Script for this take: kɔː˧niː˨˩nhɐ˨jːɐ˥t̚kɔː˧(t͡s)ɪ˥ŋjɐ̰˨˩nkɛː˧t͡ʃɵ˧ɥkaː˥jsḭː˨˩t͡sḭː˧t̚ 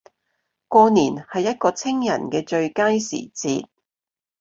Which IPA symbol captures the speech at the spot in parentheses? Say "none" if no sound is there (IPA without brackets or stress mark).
t͡sʰ